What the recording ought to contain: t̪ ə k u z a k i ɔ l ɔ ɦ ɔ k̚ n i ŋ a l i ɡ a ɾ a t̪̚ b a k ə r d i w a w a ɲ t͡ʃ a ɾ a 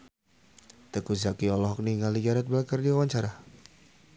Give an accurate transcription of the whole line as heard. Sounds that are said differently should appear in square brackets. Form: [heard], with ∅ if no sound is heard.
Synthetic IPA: t̪ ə k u z a k i ɔ l ɔ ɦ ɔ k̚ n i ŋ a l i ɡ a ɾ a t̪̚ b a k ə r d i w a w a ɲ t͡ʃ a ɾ a